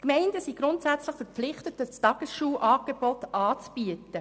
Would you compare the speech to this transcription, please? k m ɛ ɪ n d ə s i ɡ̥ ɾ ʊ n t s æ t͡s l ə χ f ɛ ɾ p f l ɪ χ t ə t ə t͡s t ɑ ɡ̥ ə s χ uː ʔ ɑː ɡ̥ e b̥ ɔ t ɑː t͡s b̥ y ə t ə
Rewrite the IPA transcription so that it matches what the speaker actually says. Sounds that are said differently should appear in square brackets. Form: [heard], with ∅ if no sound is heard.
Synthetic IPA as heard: k m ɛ ɪ n d ə s i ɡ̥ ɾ ʊ n t s æ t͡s l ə χ f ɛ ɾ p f l ɪ χ t ə t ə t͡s t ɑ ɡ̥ ə s [ʃ] uː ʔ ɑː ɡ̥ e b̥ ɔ t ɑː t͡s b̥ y ə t ə